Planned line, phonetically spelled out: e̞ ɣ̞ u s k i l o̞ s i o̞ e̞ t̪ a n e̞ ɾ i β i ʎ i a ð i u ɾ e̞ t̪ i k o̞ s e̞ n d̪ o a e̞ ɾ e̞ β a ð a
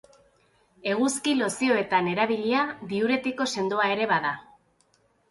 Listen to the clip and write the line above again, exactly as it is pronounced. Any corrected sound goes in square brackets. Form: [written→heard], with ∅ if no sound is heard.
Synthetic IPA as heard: e̞ ɣ̞ u s k i l o̞ s i o̞ e̞ t̪ a n e̞ ɾ [i→a] β i ʎ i a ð i u ɾ e̞ t̪ i k o̞ s e̞ n d̪ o a e̞ ɾ e̞ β a ð a